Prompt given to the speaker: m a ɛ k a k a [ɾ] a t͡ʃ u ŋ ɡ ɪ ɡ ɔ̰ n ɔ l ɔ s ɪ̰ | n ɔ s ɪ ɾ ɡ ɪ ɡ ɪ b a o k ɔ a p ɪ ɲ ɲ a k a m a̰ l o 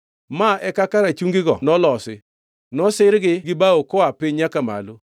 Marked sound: correct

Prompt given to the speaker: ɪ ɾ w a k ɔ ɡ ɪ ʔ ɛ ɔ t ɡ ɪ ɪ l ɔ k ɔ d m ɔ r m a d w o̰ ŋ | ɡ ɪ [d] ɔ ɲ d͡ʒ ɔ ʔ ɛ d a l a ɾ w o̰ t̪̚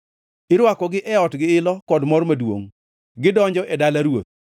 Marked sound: correct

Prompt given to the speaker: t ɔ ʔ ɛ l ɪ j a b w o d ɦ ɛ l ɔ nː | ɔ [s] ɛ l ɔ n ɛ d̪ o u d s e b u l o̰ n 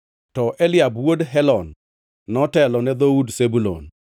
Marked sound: incorrect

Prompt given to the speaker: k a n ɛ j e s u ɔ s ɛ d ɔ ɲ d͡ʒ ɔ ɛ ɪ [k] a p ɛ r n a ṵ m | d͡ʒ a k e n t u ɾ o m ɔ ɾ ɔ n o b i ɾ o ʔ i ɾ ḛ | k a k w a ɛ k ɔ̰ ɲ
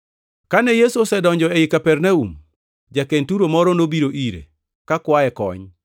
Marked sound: correct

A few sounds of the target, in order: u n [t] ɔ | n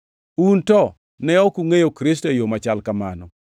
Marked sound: correct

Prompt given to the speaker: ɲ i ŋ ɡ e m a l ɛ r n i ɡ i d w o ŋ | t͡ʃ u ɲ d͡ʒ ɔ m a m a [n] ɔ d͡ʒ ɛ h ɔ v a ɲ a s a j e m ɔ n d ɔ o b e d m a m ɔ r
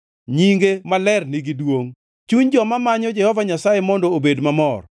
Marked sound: incorrect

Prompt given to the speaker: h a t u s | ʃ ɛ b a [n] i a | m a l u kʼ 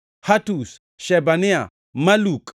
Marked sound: correct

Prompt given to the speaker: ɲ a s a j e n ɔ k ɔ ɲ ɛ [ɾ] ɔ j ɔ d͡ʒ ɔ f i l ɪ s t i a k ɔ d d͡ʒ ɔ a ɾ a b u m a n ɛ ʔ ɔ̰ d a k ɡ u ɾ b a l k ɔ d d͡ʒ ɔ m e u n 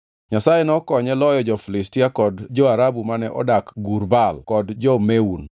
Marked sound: incorrect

